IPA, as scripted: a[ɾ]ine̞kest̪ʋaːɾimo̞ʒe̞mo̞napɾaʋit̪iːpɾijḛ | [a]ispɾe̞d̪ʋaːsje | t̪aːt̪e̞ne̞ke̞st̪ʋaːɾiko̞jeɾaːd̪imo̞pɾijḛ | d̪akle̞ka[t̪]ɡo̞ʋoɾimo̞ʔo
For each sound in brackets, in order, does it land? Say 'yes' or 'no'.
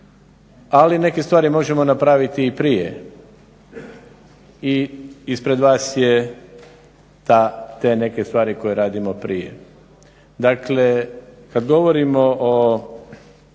no, no, no

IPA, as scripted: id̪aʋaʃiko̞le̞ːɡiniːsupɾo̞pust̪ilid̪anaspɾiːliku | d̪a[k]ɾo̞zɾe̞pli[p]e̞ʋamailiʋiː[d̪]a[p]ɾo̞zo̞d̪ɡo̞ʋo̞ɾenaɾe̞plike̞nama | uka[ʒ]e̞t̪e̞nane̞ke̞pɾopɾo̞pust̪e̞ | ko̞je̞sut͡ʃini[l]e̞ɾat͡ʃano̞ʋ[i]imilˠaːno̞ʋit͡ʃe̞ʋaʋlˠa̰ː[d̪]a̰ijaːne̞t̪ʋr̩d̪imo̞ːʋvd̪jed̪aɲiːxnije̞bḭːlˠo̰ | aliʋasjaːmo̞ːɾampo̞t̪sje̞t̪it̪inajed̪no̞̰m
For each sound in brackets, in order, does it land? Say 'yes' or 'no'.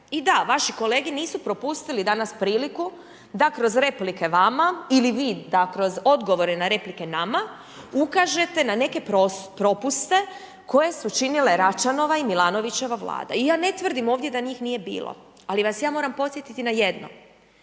yes, no, yes, no, yes, yes, no, yes

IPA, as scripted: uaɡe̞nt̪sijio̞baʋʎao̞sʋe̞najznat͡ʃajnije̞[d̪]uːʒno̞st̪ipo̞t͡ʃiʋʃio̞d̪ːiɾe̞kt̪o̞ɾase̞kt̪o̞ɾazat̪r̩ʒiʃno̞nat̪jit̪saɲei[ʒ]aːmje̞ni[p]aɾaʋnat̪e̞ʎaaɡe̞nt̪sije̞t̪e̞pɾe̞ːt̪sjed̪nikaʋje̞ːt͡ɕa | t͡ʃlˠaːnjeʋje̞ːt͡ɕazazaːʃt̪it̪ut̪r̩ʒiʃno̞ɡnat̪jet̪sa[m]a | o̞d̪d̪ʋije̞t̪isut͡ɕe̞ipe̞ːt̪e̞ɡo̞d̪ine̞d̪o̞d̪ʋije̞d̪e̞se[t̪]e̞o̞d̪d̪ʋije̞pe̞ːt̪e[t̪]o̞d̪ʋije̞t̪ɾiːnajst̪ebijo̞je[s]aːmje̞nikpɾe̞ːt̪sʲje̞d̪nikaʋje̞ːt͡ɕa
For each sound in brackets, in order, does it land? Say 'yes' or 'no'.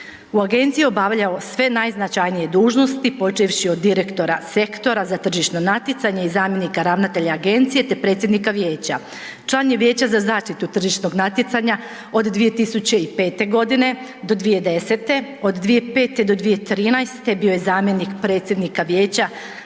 yes, no, no, no, yes, no, no

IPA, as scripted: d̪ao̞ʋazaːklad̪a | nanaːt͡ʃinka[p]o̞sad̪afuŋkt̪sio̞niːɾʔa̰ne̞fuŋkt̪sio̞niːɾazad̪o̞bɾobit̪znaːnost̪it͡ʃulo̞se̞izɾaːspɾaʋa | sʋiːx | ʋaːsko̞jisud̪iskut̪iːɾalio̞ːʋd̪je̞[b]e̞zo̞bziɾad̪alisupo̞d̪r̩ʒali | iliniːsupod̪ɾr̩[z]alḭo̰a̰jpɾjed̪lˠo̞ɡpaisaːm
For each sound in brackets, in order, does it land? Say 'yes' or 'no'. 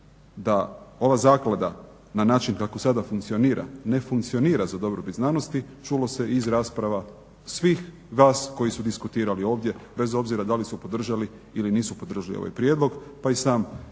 no, yes, no

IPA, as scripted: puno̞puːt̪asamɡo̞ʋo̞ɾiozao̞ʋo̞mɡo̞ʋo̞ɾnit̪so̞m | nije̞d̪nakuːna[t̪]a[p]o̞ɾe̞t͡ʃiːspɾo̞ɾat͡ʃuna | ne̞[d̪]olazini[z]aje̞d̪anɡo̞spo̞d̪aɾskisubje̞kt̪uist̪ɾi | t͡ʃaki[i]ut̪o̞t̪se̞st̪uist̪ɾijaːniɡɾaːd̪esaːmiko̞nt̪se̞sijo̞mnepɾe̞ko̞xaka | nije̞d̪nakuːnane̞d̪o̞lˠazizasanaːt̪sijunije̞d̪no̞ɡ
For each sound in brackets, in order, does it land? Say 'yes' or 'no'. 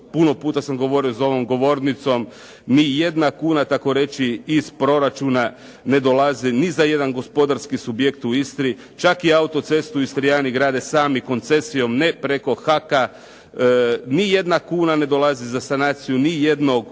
yes, no, yes, yes, no

